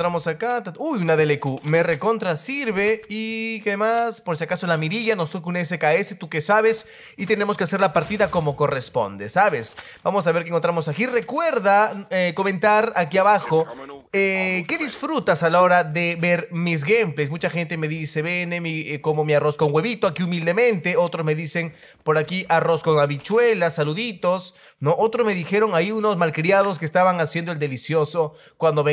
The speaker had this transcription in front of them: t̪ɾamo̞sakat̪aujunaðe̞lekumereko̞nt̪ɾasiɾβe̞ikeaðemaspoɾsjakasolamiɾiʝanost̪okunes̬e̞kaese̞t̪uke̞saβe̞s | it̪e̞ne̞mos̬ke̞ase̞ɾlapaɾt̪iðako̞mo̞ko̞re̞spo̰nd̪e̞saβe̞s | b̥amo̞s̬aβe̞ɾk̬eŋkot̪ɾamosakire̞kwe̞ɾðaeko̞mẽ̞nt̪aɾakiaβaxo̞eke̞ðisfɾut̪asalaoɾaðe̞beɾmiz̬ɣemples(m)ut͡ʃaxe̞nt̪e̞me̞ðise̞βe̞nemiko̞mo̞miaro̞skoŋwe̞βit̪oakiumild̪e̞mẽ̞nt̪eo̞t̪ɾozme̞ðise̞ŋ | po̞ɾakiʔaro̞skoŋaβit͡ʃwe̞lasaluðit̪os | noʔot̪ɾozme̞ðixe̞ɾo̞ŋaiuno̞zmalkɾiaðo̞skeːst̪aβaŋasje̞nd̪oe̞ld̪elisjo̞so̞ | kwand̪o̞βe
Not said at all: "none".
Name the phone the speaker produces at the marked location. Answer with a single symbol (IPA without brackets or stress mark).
m